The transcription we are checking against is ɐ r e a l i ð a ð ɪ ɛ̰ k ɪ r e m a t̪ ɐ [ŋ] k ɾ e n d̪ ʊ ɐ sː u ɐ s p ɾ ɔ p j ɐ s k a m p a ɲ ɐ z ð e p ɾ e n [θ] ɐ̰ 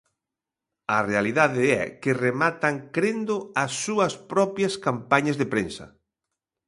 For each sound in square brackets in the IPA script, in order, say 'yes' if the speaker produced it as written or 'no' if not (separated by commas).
yes, no